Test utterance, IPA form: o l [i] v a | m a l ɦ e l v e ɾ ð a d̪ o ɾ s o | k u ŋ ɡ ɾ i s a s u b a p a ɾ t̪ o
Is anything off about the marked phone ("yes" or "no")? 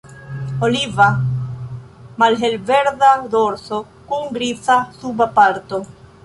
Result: no